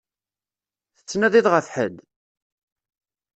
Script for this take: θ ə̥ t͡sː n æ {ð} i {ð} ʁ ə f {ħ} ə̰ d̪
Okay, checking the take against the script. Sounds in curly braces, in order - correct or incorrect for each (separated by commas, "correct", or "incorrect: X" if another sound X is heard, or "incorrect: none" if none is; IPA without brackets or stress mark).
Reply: correct, correct, correct